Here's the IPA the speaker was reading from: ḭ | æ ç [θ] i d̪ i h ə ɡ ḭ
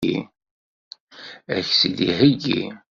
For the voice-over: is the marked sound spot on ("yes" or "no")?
no